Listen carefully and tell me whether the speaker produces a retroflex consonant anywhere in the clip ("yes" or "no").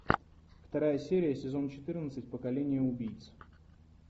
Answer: no